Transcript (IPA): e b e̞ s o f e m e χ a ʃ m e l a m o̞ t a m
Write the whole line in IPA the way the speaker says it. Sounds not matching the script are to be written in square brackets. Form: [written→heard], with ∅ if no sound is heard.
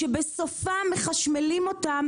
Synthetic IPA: e b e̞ s o f [e→a] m e χ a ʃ m e l [a→i] m o̞ t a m